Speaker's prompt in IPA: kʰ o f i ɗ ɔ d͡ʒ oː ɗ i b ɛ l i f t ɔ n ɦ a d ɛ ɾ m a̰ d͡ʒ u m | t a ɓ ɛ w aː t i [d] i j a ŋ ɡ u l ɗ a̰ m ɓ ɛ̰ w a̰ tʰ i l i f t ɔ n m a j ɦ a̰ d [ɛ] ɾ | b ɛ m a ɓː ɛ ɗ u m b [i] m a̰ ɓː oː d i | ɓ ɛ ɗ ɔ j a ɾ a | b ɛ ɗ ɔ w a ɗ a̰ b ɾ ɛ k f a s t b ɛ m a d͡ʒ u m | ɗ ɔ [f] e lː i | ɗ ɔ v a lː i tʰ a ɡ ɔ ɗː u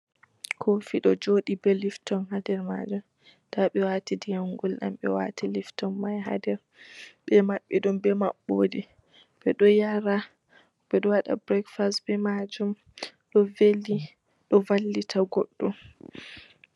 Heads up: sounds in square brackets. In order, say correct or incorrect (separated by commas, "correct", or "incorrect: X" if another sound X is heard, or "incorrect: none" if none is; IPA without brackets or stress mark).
correct, correct, incorrect: ɛ, incorrect: v